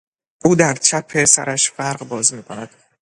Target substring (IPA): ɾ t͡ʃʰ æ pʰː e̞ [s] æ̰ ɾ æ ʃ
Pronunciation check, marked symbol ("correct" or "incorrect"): correct